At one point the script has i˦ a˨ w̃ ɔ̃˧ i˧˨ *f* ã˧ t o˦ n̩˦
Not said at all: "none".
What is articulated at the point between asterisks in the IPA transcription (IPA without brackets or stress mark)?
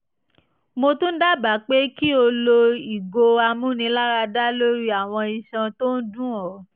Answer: ʃ